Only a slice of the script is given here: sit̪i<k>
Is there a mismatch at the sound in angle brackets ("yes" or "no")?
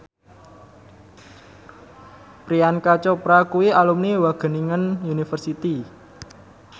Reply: yes